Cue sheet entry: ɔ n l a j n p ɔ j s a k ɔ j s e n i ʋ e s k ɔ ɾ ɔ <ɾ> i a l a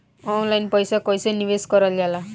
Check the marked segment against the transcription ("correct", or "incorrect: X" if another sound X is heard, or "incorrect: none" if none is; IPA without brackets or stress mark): incorrect: l